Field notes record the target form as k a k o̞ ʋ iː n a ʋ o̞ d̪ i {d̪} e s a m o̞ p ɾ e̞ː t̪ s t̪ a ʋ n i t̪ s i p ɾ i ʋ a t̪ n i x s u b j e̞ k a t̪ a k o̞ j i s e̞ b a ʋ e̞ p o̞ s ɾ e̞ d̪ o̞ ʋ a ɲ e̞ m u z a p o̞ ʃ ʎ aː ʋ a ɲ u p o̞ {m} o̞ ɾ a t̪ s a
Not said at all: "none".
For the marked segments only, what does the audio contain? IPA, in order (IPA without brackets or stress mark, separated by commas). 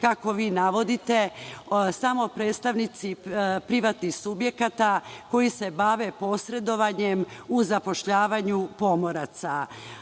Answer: t̪, m